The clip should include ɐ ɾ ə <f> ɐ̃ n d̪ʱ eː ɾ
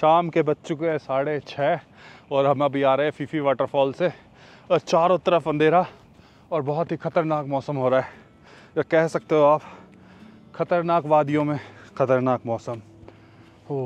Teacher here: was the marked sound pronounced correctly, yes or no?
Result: yes